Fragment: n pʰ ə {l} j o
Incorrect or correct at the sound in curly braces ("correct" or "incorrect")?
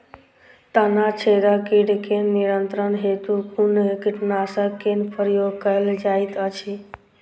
incorrect